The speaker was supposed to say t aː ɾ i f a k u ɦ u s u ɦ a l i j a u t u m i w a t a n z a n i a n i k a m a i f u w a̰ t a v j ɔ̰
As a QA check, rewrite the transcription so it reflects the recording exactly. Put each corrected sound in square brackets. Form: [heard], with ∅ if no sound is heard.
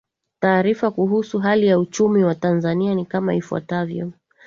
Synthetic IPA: t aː ɾ i f a k u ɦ u s u ɦ a l i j a u [t͡ʃ] u m i w a t a n z a n i a n i k a m a i f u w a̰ t a v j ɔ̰